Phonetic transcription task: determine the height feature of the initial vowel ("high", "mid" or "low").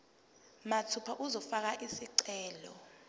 low